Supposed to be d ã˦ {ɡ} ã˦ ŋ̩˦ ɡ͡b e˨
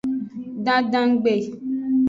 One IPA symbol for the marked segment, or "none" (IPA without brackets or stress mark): d